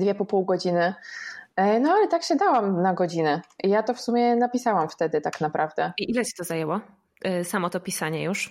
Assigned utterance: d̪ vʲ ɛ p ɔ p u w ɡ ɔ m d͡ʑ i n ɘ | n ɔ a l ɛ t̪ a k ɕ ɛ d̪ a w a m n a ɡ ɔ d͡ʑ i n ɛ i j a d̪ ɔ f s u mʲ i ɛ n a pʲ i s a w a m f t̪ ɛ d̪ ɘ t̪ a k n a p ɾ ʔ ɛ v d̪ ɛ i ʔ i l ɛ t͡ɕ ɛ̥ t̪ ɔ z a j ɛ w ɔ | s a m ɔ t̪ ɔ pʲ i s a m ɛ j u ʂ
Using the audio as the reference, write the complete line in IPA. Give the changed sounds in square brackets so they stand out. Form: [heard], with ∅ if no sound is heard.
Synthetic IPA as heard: d̪ vʲ ɛ p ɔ p u w ɡ ɔ [∅] d͡ʑ i n ɘ | n ɔ a l ɛ t̪ a k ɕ ɛ d̪ a w a m n a ɡ ɔ d͡ʑ i n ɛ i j a [t̪] ɔ f s u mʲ [j] ɛ n a pʲ i s a w a m f t̪ ɛ d̪ ɘ t̪ a k n a p ɾ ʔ [a] v d̪ ɛ i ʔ i l ɛ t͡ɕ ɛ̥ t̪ ɔ z a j ɛ w ɔ | s a m ɔ t̪ ɔ pʲ i s a [ɲ] ɛ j u ʂ